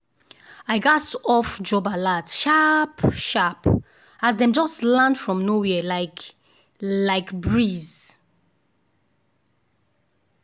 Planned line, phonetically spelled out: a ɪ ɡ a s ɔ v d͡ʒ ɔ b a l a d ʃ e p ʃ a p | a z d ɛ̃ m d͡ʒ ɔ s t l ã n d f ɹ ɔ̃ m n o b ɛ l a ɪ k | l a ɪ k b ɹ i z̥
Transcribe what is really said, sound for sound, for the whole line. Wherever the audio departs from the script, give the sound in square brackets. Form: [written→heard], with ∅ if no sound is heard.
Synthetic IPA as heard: a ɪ ɡ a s ɔ [v→f] d͡ʒ ɔ b a l a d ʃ [e→a] p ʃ a p | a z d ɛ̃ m d͡ʒ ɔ s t l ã n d f ɹ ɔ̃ m n o [b→w] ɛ l a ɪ k | l a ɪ k b ɹ i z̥

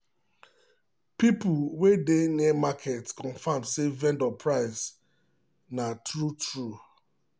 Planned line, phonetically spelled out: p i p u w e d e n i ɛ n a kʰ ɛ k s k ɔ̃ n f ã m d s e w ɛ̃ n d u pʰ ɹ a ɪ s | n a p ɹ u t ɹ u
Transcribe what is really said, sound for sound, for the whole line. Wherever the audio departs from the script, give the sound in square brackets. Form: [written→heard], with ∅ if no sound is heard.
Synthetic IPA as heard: p i p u w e d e n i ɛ [n→m] a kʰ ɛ [k→t] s k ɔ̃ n f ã m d s e [w→v] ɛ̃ n d [u→ɔ] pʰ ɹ a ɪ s | n a [p→t] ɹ u t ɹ u

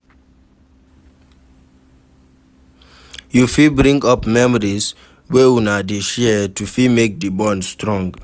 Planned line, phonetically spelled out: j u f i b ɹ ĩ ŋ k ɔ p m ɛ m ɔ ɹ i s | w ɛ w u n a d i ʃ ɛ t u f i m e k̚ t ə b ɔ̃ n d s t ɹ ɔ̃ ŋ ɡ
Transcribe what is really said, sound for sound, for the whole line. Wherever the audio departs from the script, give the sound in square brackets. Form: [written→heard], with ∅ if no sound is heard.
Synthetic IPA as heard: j u f i b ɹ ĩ ŋ [k→ɡ] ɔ p m ɛ m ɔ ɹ i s | w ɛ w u n a d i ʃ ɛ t u f i m e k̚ [t→d] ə b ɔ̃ n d s t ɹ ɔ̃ ŋ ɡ

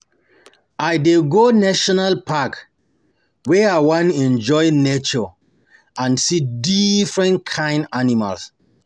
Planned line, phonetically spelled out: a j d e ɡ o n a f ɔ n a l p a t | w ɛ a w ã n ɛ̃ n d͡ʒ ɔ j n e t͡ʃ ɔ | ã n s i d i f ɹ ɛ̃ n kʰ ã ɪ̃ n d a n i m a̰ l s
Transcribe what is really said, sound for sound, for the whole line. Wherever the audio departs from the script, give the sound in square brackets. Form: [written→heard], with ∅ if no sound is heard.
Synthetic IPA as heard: a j d e ɡ o n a [f→ʃ] ɔ n a l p a [t→k] | w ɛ a w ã n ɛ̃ n d͡ʒ ɔ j n e t͡ʃ ɔ | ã n s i d i f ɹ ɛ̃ n kʰ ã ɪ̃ n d a n i m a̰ l s

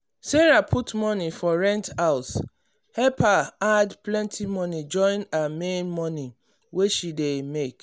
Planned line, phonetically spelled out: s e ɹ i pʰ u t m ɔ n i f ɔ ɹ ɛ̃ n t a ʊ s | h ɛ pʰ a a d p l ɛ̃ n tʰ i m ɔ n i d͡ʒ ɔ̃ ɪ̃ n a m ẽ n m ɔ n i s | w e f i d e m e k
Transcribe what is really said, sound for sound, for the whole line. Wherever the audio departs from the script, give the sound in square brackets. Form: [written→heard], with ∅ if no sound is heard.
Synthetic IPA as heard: s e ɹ [i→a] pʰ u t m ɔ n i f ɔ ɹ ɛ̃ n t a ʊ s | h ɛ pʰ a a d p l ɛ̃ n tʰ i m ɔ n i d͡ʒ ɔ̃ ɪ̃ n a m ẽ n m ɔ n i [s→∅] | w e [f→ʃ] i d e m e k

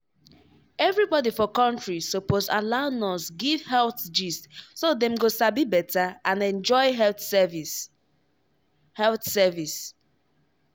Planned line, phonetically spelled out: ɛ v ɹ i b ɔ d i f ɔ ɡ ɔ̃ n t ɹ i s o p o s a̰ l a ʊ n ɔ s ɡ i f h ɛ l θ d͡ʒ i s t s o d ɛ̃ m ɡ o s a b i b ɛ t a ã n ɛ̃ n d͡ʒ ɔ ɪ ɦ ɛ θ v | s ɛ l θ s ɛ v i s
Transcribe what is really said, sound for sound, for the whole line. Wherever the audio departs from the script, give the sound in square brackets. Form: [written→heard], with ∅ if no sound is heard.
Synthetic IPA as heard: ɛ v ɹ i b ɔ d i f ɔ [ɡ→k] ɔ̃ n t ɹ i s o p o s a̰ l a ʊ n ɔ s ɡ i [f→v] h ɛ l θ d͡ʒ i s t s o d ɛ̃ m ɡ o s a b i b ɛ t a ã n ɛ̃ n d͡ʒ ɔ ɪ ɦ ɛ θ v | [s→h] ɛ l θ s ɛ v i s

